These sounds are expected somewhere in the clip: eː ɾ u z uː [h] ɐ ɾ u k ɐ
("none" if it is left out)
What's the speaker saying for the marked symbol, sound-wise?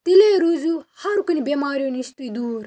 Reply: h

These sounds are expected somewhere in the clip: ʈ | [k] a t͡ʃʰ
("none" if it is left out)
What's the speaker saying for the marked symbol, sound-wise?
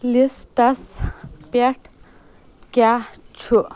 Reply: k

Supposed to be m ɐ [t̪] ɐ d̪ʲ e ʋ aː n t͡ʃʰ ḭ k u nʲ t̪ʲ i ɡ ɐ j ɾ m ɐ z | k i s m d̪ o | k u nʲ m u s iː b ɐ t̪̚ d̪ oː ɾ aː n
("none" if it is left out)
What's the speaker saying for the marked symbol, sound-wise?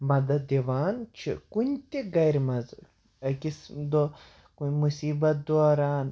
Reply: d̪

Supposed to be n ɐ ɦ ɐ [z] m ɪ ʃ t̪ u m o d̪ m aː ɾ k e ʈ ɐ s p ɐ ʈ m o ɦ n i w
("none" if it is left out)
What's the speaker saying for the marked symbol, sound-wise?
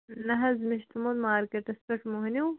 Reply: z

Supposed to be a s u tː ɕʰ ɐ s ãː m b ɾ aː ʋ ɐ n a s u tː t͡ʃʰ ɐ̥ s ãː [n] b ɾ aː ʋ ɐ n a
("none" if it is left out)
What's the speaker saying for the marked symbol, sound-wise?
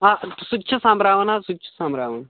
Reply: m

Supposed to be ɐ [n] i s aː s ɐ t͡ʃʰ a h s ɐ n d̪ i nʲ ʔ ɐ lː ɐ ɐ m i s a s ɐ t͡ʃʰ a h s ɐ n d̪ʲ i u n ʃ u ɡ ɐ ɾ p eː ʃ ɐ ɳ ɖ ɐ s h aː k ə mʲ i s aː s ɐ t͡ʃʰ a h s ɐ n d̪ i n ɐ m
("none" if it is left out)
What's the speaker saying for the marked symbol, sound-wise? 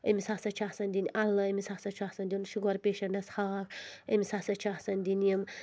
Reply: m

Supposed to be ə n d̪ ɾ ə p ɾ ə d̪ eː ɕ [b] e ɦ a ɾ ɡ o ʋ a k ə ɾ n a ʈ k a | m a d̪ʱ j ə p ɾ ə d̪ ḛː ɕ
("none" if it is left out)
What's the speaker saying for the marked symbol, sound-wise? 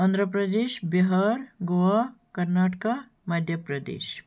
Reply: b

